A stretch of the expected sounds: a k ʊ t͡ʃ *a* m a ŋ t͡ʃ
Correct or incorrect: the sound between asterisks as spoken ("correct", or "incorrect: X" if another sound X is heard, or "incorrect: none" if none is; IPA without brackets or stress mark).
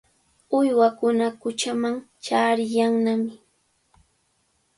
correct